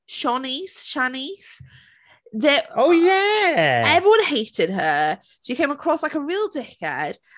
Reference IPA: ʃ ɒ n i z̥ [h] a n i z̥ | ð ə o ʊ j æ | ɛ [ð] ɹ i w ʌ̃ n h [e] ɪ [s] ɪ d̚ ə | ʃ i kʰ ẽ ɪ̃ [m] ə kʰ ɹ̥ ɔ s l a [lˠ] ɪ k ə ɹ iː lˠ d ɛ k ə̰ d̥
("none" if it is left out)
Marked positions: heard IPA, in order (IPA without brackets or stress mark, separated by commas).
ʃ, v, e, t, m, none